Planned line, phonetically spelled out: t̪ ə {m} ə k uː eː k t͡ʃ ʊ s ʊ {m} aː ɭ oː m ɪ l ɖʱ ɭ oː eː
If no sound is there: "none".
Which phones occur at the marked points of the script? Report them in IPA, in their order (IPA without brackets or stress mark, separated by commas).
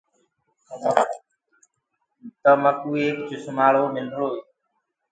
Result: m, m